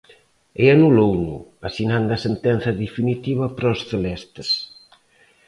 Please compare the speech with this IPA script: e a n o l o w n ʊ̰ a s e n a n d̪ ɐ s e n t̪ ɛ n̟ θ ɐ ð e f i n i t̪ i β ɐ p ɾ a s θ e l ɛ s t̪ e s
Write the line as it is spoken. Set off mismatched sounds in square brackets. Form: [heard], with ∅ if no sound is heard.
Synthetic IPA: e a n [u] l o w n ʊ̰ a s [i] n a n d̪ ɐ s e n t̪ ɛ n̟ θ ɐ ð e f i n i t̪ i β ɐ p ɾ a s θ e l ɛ s t̪ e s